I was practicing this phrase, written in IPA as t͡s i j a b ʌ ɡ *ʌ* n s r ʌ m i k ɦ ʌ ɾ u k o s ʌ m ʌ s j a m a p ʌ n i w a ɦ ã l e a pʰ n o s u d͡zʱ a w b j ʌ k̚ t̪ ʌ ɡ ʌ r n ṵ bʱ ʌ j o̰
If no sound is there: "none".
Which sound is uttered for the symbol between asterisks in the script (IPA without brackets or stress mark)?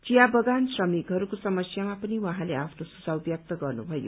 a